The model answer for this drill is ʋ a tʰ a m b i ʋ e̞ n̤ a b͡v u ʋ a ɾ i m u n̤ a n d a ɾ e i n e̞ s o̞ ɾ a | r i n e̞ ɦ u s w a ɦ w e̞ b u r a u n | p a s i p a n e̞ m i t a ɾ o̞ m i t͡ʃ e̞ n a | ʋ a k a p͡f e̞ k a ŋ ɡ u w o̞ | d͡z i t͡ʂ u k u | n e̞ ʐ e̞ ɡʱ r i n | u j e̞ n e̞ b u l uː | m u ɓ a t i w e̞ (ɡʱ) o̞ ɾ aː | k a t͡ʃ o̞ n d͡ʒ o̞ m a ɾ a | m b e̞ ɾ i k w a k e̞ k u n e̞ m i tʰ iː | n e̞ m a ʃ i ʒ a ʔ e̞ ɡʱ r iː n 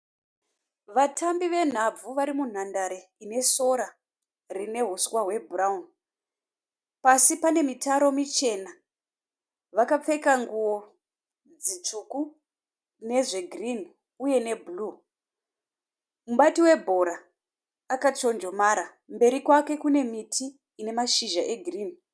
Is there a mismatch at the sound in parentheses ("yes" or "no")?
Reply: yes